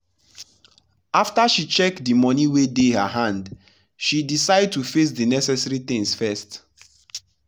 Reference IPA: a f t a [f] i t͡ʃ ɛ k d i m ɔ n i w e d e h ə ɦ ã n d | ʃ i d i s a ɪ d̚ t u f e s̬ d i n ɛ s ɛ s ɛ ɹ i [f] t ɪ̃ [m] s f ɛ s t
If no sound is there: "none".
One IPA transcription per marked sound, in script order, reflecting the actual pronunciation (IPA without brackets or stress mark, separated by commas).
ʃ, none, ŋ